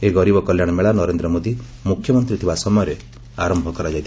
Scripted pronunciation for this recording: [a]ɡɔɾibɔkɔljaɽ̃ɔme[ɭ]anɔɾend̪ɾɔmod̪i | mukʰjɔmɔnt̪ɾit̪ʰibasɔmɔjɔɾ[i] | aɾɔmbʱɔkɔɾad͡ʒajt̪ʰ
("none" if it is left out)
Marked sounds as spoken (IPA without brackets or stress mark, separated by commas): e, ɭ, e